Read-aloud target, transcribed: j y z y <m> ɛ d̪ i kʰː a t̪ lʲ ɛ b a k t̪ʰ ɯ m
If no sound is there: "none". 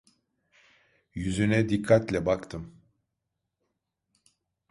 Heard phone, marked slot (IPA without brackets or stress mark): n